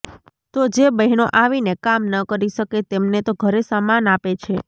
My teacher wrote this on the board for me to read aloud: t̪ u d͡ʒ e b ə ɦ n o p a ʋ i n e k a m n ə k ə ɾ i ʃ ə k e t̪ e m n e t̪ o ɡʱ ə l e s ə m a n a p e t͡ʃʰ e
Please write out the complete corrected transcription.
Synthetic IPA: t̪ o d͡ʒ e b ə ɦ n o ʔ a ʋ i n e k a m n ə k ə ɾ i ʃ ə k e t̪ e m n e t̪ o ɡʱ ə ɾ e s a m a n a p e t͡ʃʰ e